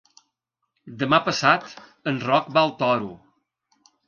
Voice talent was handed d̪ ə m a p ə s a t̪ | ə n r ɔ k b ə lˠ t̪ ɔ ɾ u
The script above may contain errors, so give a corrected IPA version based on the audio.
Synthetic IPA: d̪ ə m a p ə s a t̪ | ə n r ɔ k b a lˠ t̪ ɔ ɾ u